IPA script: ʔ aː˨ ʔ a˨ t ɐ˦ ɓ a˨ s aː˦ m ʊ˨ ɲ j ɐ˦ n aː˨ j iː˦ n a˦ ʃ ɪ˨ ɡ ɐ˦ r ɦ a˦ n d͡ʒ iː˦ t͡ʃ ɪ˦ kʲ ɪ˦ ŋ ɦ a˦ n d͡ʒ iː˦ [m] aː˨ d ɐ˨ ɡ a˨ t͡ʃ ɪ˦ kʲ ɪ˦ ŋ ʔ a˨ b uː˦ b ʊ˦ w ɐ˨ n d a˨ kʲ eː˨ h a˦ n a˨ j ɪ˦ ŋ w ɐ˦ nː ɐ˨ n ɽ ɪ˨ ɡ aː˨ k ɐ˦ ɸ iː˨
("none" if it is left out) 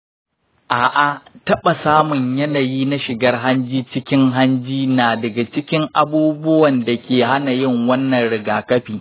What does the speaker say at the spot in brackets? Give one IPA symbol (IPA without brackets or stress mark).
n